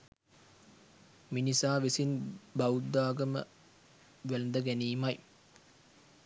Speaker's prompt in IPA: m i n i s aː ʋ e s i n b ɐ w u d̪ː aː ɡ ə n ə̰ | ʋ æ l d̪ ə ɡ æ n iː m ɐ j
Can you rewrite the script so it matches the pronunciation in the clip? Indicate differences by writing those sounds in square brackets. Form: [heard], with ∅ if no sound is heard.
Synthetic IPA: m i n i s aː ʋ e s i n b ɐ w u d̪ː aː ɡ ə [m] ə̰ | ʋ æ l d̪ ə ɡ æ n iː m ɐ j